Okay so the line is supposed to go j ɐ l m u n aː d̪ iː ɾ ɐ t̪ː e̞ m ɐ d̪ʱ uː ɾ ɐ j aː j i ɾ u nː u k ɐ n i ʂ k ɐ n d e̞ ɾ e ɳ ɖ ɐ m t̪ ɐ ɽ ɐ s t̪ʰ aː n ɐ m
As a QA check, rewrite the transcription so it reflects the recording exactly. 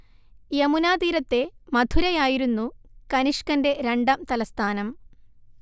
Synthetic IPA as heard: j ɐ m u n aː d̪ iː ɾ ɐ t̪ː e̞ m ɐ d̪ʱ u ɾ ɐ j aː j i ɾ u nː u k ɐ n i ʂ k ɐ n d e̞ ɾ e ɳ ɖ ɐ m t̪ ɐ l ɐ s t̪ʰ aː n ɐ m